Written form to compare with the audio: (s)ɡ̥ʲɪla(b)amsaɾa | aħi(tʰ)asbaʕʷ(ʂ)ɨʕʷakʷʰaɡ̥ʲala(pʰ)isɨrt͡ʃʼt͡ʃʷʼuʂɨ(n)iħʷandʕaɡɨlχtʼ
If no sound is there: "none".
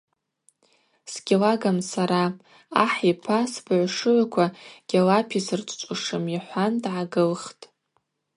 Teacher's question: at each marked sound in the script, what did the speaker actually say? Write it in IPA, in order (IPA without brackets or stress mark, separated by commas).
s, ɡ, pʰ, ʂ, pʰ, m